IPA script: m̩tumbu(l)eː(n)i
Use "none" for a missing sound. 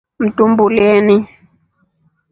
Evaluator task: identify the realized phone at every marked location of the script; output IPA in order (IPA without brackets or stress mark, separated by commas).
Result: l, n